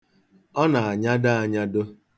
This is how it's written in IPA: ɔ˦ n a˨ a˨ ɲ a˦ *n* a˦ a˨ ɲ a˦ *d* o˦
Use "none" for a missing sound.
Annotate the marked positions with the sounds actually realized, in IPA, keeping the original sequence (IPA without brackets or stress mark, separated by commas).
d, d